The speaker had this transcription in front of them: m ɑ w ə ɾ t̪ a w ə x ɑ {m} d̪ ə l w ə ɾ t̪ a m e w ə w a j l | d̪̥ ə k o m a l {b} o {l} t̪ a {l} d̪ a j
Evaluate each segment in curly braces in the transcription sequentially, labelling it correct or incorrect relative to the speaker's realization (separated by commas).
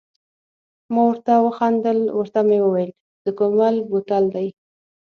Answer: incorrect, correct, incorrect, correct